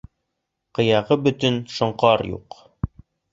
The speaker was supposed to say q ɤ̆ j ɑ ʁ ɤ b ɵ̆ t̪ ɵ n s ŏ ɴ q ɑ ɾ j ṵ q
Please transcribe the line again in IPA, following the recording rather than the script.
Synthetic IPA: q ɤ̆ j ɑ ʁ ɤ b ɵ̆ t̪ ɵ n ʃ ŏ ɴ q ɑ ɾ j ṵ q